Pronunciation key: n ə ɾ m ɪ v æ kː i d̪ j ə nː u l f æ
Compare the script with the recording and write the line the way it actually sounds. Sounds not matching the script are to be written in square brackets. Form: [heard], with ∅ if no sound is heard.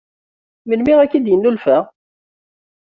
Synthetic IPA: [m] ə [l] m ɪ [ʁ] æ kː i d̪ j ə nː u l f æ